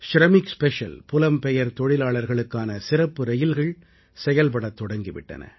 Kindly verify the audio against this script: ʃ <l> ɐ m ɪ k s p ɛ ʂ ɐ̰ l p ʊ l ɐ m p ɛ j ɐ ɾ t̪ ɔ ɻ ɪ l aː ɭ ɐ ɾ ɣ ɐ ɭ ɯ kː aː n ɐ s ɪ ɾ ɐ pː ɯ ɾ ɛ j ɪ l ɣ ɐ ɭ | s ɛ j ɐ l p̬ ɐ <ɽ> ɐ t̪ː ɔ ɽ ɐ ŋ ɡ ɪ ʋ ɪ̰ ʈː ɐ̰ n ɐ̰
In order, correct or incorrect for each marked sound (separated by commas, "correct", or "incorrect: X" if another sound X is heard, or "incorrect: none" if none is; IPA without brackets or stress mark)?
incorrect: ɾ, correct